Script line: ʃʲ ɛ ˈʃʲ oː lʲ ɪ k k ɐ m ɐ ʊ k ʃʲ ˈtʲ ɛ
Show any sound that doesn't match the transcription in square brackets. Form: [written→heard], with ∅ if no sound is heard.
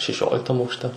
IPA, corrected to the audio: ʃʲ ɛ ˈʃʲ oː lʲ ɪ k [k→t] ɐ m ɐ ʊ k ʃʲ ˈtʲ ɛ